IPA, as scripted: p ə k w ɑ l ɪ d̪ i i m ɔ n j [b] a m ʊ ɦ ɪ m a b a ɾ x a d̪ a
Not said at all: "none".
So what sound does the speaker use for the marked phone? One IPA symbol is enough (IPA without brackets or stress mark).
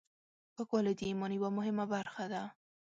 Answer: w